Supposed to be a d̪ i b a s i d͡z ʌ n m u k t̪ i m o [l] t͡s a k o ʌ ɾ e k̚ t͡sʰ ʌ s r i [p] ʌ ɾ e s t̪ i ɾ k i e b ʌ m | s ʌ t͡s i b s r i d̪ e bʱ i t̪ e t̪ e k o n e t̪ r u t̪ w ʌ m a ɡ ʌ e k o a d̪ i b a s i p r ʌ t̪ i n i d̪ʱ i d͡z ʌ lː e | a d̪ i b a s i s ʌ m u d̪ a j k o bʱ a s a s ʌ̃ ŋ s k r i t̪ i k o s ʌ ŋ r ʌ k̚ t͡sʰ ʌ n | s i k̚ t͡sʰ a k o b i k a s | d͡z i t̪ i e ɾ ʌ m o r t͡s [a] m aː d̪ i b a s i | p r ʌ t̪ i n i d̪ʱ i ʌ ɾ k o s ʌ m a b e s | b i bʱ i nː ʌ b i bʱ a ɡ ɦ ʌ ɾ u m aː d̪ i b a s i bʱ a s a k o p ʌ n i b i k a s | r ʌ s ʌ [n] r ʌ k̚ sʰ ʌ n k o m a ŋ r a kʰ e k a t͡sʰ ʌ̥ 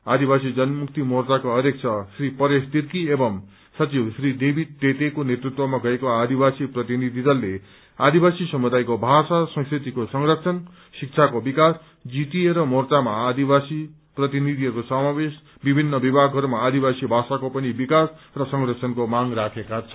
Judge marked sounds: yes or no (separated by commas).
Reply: no, yes, yes, no